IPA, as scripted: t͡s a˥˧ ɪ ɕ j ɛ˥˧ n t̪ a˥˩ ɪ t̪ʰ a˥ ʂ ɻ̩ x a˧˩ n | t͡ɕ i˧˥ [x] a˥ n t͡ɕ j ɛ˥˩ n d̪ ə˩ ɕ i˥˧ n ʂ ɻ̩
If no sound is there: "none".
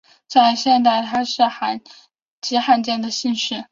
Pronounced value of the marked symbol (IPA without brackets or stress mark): x